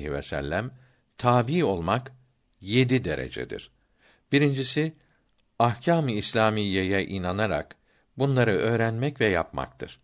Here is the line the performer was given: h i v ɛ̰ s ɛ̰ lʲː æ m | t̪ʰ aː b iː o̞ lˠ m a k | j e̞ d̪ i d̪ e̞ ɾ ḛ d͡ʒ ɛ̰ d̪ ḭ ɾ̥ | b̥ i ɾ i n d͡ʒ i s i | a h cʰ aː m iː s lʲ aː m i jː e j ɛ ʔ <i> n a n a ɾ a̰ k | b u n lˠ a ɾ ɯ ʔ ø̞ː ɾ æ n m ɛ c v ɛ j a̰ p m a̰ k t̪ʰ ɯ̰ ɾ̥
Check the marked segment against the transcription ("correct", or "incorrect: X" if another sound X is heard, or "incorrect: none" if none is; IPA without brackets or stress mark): correct